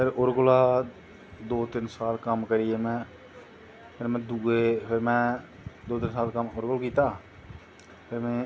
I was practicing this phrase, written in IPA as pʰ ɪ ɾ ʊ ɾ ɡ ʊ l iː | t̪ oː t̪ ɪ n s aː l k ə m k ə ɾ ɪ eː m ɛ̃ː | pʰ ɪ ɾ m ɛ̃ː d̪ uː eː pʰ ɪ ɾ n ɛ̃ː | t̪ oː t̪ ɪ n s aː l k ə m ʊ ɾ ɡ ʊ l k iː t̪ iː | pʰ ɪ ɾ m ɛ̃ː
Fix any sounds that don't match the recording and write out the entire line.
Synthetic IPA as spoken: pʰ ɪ ɾ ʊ ɾ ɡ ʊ l aː | d̪ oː t̪ ɪ n s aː l k ə m k ə ɾ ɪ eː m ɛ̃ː | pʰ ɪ ɾ m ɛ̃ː d̪ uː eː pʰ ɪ ɾ m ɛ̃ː | d̪ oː t̪ ɪ n s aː l k ə m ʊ ɾ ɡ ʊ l k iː t̪ aː | pʰ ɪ ɾ m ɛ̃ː